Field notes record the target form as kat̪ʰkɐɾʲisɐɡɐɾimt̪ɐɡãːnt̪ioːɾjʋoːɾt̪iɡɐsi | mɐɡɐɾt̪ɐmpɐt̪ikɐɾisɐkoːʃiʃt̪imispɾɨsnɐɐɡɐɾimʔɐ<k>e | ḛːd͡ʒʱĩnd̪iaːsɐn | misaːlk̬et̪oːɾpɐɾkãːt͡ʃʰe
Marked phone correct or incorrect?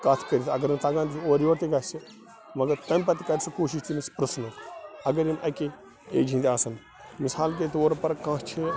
correct